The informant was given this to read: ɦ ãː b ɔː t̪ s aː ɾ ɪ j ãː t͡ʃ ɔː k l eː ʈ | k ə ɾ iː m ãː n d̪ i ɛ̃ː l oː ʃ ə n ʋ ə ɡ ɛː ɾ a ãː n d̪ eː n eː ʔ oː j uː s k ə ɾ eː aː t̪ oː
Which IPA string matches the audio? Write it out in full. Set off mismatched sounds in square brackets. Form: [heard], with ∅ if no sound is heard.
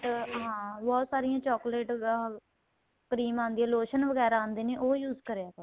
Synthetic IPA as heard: ɦ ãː b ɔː t̪ s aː ɾ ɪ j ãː t͡ʃ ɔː k l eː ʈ | k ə ɾ iː m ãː n d̪ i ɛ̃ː l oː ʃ ə n ʋ ə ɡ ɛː ɾ a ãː n d̪ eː n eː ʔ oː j uː [z] k ə ɾ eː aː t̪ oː